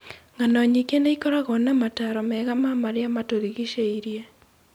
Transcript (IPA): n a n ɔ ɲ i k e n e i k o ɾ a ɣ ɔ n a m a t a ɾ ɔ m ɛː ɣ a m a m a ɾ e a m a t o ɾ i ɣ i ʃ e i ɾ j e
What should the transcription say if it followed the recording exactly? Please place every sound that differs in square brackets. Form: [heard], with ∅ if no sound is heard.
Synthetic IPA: [ŋ] a n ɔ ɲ i k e n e i k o ɾ a ɣ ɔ n a m a t a ɾ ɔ m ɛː ɣ a m a m a ɾ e a m a t o ɾ i ɣ i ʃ e i ɾ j e